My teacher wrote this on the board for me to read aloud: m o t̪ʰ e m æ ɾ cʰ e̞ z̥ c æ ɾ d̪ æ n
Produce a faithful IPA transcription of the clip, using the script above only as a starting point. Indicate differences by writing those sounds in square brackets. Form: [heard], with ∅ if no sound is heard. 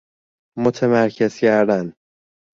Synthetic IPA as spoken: m o t̪ʰ e m æ ɾ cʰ e̞ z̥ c æ ɾ d̪ æ n